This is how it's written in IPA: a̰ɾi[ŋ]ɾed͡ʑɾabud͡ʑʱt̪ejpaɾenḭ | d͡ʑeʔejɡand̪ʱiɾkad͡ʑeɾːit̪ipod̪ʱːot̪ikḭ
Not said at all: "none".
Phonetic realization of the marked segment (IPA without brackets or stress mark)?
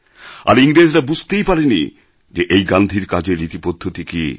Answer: ŋ